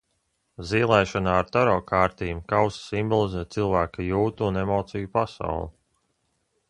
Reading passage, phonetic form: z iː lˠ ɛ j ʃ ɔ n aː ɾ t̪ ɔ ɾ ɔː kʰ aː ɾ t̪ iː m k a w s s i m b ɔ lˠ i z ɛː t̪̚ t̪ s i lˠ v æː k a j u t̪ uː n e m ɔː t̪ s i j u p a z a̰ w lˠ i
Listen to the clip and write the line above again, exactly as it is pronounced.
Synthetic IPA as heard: z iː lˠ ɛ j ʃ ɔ n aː ɾ t̪ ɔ ɾ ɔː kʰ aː ɾ t̪ iː m k a w s s i m b ɔ lˠ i z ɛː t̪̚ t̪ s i lˠ v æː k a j uː t̪ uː n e m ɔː t̪ s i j u p a s a̰ w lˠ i